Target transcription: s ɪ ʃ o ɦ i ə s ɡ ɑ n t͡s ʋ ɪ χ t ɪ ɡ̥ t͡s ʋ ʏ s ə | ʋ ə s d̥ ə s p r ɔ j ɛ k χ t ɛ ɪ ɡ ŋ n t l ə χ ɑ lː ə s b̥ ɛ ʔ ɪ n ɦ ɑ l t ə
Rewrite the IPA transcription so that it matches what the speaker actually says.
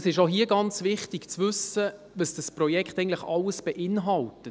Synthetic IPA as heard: s ɪ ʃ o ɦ i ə ɡ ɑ n t͡s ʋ ɪ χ t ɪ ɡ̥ t͡s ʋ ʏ s ə | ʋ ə s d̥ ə s p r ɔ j ɛ k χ t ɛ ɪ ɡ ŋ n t l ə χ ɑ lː ə s b̥ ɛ ʔ ɪ n ɦ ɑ l t ə